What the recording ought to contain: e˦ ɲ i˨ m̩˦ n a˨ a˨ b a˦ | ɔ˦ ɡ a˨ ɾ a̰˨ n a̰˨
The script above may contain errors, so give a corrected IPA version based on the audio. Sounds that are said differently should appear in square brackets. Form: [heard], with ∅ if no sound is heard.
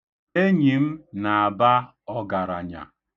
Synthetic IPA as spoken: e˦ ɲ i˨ m̩˦ n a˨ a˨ b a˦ | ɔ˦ ɡ a˨ ɾ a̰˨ [ɲ] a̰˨